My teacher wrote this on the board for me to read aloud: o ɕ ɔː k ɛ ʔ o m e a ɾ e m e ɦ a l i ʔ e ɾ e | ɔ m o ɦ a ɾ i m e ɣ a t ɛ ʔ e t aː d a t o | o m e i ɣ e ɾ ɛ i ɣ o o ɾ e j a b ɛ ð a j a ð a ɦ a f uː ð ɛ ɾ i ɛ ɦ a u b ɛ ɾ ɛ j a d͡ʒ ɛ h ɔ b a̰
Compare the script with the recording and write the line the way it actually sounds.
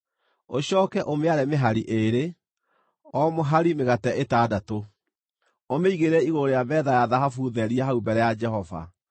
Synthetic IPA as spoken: o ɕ ɔː k ɛ ʔ o m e a ɾ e m e ɦ a ɾ i ʔ e ɾ e | ɔ m o ɦ a ɾ i m e ɣ a t ɛ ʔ e t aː d a t o | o m e i ɣ e ɾ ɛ i ɣ o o ɾ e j a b ɛ ð a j a ð a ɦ a f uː ð ɛ ɾ i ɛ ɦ a u b ɛ ɾ ɛ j a d͡ʒ ɛ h ɔ v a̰

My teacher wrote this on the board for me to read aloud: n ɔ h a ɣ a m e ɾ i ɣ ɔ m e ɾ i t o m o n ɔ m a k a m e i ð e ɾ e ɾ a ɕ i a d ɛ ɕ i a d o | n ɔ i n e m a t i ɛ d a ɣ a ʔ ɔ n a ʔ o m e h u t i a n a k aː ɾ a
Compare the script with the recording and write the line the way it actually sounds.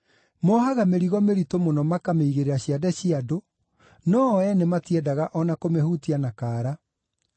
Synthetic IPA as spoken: m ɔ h a ɣ a m e ɾ i ɣ ɔ m e ɾ i t o m o n ɔ m a k a m e i ɣ e ɾ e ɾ a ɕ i a d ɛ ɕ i a d o | n ɔ ɛ n e m a t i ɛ d a ɣ a ʔ ɔ n a k o m e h u t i a n a k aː ɾ a

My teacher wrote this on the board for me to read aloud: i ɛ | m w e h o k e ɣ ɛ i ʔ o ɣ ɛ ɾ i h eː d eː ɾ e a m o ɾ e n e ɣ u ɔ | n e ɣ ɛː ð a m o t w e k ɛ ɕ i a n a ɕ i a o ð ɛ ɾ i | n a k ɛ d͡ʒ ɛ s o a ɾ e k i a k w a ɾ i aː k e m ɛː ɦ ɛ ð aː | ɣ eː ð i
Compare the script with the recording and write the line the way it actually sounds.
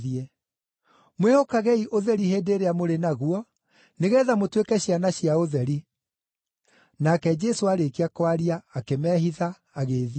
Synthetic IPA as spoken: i ɛ | m w e h o k a ɣ ɛ i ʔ o ð ɛ ɾ i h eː d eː ɾ e a m o ɾ e n a ɣ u ɔ | n e ɣ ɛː ð a m o t w e k ɛ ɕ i a n a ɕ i a o ð ɛ ɾ i | n a k ɛ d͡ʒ ɛ s o a ɾ e k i a k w a ɾ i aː k e m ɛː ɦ i ð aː | ɣ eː ð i

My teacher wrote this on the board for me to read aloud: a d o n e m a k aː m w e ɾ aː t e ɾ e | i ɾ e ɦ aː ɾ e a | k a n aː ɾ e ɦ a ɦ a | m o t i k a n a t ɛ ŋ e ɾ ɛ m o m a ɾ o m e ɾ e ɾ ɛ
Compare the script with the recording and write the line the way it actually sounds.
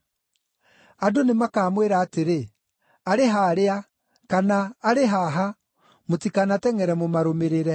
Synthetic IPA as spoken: a d o n e m a k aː m w e ɾ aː t e ɾ e | a ɾ e ɦ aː ɾ e a | k a n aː ɾ e ɦ a ɦ a | m o t i k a n a t ɛ ŋ ɛ ɾ ɛ m o m a ɾ o m e ɾ e ɾ ɛ

